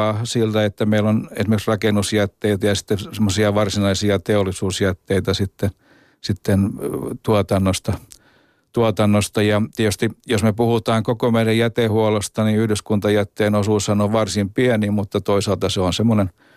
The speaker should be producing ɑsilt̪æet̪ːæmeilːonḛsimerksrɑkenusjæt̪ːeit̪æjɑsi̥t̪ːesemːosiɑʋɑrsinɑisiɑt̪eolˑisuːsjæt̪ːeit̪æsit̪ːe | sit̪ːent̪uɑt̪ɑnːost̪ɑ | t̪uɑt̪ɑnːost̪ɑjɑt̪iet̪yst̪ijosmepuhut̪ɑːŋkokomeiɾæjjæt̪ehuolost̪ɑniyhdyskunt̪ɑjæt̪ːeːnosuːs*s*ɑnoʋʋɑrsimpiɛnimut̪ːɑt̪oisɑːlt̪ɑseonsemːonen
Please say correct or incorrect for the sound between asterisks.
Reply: incorrect